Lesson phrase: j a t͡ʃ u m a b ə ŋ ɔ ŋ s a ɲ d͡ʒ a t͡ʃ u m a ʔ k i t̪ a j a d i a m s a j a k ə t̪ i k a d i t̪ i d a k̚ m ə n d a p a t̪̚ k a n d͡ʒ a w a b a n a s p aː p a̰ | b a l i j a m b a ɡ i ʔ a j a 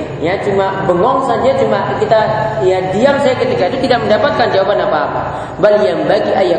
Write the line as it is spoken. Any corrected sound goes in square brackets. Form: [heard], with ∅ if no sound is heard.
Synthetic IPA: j a t͡ʃ u m a b ə ŋ ɔ ŋ s a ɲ d͡ʒ a t͡ʃ u m a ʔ k i t̪ a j a d i a m s a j a k ə t̪ i k a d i t̪ i d a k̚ m ə n d a p a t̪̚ k a n d͡ʒ a w a b a n a [∅] p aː p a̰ | b a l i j a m b a ɡ i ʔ a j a